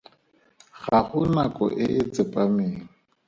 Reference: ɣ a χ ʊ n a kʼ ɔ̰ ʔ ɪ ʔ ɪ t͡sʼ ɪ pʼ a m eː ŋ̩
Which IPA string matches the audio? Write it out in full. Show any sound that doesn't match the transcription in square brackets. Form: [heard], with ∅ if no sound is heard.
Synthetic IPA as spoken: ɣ a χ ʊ n a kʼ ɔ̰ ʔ ɪ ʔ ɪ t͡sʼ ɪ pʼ a m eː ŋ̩